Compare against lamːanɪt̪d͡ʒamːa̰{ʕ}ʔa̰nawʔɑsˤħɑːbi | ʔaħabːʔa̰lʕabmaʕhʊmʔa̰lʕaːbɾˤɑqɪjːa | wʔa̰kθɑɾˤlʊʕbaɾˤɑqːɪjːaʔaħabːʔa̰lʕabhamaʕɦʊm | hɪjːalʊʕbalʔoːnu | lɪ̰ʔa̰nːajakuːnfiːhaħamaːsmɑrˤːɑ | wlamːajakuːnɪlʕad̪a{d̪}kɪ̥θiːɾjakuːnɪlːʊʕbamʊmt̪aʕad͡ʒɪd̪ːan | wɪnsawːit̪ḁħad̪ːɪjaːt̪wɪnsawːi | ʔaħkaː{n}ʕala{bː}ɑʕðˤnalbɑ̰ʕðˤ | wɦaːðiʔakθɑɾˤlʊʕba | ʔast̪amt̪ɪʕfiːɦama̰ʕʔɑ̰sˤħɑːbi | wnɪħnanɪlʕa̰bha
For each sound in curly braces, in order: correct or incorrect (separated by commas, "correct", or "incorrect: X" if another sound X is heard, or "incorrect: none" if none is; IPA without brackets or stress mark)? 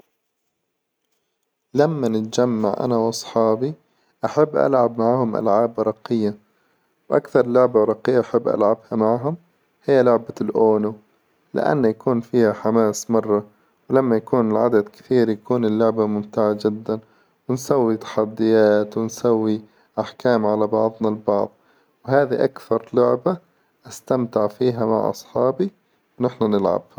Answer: correct, correct, incorrect: m, incorrect: b